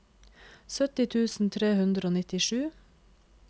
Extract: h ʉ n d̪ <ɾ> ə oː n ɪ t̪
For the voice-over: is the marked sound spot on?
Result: yes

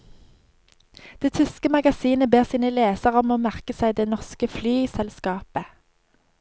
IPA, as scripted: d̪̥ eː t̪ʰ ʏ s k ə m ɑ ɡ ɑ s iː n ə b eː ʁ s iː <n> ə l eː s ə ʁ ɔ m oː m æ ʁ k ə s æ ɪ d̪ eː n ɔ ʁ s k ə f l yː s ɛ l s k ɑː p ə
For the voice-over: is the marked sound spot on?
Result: yes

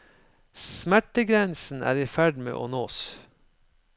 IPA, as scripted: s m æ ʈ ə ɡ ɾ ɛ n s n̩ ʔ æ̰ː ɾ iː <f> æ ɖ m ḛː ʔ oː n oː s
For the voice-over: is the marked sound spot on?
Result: yes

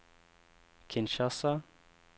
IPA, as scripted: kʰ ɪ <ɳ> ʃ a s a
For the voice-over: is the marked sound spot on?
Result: no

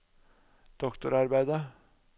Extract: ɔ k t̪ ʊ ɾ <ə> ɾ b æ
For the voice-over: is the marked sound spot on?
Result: no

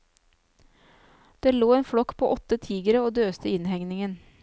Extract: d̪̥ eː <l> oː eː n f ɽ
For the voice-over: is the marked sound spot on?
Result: yes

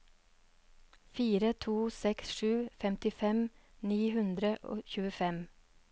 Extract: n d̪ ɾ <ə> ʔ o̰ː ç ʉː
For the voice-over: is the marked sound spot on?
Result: yes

